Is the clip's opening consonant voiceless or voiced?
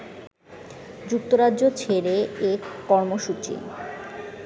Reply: voiced